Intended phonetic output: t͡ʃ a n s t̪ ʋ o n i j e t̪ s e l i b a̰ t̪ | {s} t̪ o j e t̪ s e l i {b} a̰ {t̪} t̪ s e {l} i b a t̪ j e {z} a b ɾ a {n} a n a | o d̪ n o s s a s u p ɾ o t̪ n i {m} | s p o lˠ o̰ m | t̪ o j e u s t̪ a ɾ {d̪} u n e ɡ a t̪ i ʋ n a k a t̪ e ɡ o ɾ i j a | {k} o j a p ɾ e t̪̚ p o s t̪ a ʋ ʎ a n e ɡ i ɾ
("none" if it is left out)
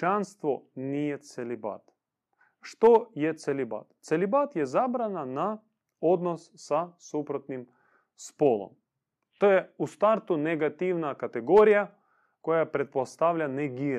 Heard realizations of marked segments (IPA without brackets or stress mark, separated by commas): ʃ, b, t̪, l, z, n, m, t̪, k